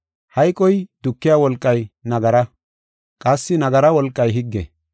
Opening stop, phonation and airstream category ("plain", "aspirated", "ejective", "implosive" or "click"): ejective